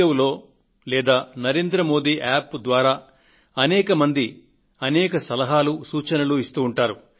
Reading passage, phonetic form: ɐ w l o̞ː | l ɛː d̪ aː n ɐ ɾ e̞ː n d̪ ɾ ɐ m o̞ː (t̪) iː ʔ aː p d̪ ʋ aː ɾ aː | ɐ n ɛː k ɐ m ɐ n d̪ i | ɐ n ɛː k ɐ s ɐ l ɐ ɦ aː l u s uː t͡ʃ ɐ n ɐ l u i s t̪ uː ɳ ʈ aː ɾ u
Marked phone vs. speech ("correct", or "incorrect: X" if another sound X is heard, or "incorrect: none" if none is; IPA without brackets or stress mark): incorrect: d̪